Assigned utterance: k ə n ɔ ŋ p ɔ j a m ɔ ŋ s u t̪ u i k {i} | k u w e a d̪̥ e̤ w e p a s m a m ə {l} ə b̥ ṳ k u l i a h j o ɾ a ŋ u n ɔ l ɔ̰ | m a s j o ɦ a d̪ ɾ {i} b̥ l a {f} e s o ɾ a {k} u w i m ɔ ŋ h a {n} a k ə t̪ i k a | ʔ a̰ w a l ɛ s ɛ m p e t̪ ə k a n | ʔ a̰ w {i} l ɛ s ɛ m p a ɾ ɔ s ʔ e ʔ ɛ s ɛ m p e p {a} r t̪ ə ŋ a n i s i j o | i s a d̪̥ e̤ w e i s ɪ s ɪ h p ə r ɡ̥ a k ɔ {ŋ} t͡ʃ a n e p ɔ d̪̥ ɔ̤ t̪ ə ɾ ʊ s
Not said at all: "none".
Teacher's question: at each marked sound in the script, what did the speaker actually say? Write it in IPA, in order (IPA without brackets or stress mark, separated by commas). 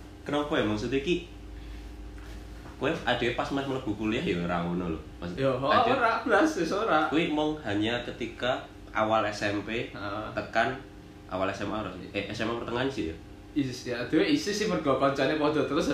i, l, a, s, k, ɲ, a, ə, ɲ